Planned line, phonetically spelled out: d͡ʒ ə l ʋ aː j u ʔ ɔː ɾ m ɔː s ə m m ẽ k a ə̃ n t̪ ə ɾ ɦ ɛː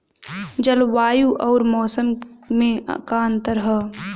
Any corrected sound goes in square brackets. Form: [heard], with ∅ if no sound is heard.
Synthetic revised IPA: d͡ʒ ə l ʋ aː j u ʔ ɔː ɾ m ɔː s ə m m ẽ k a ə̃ n t̪ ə ɾ ɦ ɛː